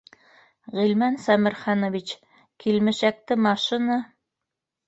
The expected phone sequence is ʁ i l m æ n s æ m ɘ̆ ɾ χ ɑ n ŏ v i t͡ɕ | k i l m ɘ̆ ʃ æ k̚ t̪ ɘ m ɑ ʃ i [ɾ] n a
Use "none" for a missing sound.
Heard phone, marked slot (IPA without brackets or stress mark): none